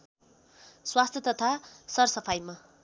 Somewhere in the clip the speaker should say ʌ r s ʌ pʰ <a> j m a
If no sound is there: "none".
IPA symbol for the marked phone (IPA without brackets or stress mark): a